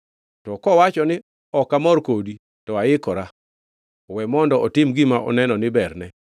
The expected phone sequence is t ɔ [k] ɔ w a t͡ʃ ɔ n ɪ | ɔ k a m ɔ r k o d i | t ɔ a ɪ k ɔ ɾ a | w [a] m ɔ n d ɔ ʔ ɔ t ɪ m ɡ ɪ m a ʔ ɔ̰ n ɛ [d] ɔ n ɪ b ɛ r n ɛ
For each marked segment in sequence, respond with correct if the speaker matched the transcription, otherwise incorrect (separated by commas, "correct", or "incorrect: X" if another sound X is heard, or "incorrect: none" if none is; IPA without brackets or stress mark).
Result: correct, incorrect: ɛ, incorrect: n